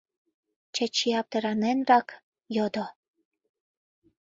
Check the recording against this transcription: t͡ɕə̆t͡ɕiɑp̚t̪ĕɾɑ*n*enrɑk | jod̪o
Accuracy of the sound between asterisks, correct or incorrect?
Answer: correct